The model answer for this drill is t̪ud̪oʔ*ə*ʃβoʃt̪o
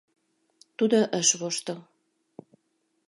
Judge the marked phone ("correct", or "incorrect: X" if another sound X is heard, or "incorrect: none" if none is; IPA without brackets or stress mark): correct